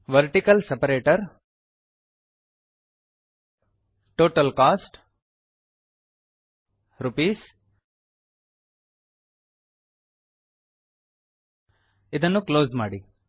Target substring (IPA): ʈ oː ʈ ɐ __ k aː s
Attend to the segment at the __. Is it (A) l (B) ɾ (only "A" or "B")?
A